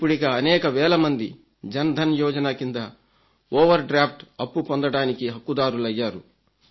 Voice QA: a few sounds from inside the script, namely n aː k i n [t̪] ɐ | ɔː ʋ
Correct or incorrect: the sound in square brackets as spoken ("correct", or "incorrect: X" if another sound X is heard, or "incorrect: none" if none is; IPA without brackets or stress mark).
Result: incorrect: d̪